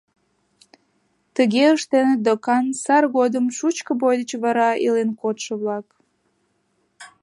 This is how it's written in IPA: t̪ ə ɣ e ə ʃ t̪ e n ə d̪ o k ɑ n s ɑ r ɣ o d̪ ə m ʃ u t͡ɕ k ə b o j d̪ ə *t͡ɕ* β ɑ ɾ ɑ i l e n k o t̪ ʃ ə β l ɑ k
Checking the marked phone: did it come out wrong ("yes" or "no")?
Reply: no